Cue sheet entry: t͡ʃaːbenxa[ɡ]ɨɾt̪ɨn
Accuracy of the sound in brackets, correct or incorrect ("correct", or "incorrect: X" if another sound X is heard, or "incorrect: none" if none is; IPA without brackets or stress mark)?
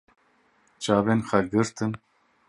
correct